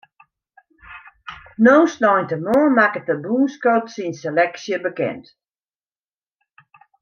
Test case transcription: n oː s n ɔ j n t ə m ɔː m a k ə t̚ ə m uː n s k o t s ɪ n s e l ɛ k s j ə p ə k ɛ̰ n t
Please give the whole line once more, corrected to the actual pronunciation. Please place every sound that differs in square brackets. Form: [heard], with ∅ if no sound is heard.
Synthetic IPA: n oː s n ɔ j n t ə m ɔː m a k ə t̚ ə [b] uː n s k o t s [i] n s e l ɛ k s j ə [b] ə k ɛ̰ n t